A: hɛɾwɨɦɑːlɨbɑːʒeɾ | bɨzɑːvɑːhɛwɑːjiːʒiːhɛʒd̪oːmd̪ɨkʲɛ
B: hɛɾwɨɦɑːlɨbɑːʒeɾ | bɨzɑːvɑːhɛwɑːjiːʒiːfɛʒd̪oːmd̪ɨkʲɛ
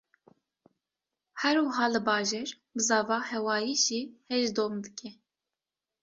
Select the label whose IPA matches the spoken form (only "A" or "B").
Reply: A